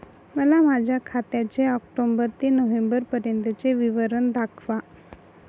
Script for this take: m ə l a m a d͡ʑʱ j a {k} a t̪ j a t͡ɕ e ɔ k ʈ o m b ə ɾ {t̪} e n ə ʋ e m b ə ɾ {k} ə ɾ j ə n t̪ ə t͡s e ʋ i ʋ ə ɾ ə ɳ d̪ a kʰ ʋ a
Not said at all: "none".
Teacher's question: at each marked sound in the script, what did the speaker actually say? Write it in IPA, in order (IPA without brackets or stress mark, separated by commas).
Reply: kʰ, t̪, p